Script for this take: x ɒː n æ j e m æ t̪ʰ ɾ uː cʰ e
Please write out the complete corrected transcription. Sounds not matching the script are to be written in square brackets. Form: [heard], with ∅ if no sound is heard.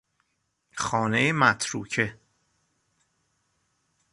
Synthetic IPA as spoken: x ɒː n [e] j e m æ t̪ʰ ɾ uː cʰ e